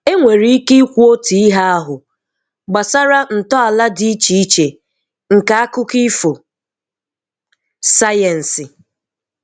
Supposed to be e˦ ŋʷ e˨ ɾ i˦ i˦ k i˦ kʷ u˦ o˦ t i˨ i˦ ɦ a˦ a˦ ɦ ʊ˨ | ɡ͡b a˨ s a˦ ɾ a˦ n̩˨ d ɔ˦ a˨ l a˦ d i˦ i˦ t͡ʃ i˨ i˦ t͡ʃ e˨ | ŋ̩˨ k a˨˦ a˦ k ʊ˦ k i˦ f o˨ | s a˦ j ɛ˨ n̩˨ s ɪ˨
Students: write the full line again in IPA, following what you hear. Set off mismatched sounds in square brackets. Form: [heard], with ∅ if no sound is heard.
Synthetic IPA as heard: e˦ ŋʷ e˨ ɾ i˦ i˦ k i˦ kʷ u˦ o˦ t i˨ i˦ ɦ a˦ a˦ ɦ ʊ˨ | ɡ͡b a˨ s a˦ ɾ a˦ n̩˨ [t] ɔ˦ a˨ l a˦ d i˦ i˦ t͡ʃ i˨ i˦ t͡ʃ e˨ | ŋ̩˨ k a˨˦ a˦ k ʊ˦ k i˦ f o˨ | s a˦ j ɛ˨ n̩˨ s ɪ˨